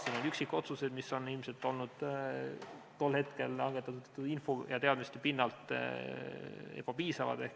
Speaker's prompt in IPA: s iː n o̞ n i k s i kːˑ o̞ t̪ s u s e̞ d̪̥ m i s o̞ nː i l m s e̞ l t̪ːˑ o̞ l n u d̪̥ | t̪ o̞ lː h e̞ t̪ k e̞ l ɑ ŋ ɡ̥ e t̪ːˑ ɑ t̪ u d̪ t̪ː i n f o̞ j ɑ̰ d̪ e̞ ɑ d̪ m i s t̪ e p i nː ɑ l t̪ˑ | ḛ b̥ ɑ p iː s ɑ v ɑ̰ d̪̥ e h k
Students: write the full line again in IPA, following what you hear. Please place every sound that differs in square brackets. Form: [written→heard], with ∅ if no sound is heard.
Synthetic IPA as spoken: s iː n o̞ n [i→y] k s i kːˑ o̞ t̪ s u s e̞ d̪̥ m i s o̞ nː i l m s e̞ l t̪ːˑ o̞ l n u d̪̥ | t̪ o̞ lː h e̞ t̪ k e̞ l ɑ ŋ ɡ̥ e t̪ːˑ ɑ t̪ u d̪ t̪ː i n f o̞ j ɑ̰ [d̪→t̪] e̞ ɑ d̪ m i s t̪ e p i nː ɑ l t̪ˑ | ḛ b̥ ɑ p iː s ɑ v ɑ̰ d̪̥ e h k